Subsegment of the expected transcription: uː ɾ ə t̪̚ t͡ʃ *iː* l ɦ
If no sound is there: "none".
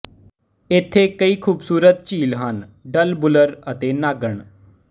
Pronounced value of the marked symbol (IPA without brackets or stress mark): iː